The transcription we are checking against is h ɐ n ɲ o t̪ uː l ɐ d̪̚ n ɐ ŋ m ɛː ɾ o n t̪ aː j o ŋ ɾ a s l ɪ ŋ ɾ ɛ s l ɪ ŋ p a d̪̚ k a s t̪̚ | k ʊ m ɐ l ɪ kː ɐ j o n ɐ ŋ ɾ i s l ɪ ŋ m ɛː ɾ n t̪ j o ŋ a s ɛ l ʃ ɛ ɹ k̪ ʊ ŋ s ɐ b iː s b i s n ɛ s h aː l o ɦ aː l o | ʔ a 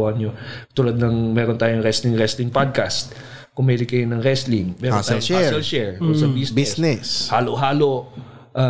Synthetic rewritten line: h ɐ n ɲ o t̪ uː l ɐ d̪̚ n ɐ ŋ m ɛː ɾ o n t̪ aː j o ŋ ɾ ɛ s l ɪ ŋ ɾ ɛ s l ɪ ŋ p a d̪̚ k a s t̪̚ | k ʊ m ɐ l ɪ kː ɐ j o n ɐ ŋ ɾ ɛ s l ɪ ŋ m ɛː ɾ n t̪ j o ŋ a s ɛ l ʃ ɛ ɹ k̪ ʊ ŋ s ɐ b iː s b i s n ɛ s h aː l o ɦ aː l o | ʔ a